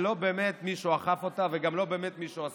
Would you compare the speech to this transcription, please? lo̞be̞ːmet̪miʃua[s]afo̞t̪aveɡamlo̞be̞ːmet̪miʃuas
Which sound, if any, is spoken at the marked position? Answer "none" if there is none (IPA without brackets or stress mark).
χ